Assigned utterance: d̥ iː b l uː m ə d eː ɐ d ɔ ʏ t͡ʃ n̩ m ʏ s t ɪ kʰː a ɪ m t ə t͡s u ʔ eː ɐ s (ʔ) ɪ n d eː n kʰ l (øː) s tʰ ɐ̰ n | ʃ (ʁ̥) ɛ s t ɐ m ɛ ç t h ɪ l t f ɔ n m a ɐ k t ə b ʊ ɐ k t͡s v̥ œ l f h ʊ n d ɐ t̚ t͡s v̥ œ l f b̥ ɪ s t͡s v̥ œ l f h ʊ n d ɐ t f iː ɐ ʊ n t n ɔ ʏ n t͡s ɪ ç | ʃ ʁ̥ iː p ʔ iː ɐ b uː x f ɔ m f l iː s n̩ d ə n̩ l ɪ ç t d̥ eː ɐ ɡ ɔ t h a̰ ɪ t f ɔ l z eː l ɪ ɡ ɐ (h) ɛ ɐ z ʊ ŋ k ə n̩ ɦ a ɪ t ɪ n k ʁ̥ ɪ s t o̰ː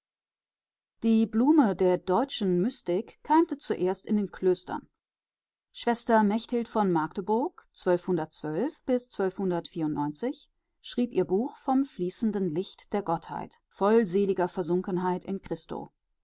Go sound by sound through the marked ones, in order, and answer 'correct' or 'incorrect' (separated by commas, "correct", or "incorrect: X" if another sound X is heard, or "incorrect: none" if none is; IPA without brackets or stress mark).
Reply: incorrect: t, correct, incorrect: v̥, incorrect: f